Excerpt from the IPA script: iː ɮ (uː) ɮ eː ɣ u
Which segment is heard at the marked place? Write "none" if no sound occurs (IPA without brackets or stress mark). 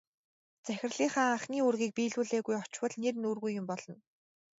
uː